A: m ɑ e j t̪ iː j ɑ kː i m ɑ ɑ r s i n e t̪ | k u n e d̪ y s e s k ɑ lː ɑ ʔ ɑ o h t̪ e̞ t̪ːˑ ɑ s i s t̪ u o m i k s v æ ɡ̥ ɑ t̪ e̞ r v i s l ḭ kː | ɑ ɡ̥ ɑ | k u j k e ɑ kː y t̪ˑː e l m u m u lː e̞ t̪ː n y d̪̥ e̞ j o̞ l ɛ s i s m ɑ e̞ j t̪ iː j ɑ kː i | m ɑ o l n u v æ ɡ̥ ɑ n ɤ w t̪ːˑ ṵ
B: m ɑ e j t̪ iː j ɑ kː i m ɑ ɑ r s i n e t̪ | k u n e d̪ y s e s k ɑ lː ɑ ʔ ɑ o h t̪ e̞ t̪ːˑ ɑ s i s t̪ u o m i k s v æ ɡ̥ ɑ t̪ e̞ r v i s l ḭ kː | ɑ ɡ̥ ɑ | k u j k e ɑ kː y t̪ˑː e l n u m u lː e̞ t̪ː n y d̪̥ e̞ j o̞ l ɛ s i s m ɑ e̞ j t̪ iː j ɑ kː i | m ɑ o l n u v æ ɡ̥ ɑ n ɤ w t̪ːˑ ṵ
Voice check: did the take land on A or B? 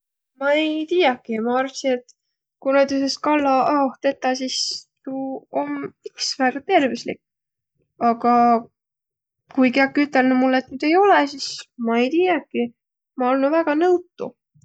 B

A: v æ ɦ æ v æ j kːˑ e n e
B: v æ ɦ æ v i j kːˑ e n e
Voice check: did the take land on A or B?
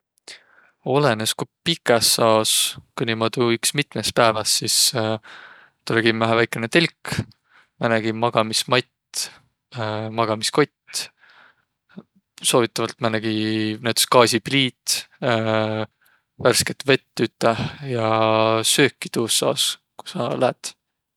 A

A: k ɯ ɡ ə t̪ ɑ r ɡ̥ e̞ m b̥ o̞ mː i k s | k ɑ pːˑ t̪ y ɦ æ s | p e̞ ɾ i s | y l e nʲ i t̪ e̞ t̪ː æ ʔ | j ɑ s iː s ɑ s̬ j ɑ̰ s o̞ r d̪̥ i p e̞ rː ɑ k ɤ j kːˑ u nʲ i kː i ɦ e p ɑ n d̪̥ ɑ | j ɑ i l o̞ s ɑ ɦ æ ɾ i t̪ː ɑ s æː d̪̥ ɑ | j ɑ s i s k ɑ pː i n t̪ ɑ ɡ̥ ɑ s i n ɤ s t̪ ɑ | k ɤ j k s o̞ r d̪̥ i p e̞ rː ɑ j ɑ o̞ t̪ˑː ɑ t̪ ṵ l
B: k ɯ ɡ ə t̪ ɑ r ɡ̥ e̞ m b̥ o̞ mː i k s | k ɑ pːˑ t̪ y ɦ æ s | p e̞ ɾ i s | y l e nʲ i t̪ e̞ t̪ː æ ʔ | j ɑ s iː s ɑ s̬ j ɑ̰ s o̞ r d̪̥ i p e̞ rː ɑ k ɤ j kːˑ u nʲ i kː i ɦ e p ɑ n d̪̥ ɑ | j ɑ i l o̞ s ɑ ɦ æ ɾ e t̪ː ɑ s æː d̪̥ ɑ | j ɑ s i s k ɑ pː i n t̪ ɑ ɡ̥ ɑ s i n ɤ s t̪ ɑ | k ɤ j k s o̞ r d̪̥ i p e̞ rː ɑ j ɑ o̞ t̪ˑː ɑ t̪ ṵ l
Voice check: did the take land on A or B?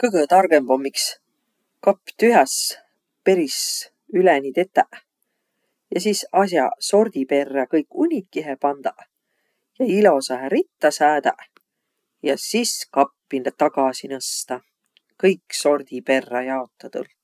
A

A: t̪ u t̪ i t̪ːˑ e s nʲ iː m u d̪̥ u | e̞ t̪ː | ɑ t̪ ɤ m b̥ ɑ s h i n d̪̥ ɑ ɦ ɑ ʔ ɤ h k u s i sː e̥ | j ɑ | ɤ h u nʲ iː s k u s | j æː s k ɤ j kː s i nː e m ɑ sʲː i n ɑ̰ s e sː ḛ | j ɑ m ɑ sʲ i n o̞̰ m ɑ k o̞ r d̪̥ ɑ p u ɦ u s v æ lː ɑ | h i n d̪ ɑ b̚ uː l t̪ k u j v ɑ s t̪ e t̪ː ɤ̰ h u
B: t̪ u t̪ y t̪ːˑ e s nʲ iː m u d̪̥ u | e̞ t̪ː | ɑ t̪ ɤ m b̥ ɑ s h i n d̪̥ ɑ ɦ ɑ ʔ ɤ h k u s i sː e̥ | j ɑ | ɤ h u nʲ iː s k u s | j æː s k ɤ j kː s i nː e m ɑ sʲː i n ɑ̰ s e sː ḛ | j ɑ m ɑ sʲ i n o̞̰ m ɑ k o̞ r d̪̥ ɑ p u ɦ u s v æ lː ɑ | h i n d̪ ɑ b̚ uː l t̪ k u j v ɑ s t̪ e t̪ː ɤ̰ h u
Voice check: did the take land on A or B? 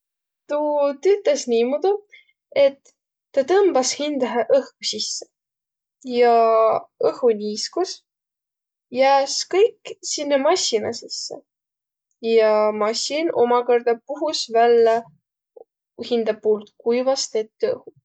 B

